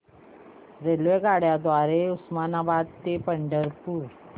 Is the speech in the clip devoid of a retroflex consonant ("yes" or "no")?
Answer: no